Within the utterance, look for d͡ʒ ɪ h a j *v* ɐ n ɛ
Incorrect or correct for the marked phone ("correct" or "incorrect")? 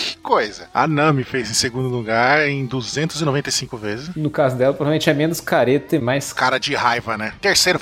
correct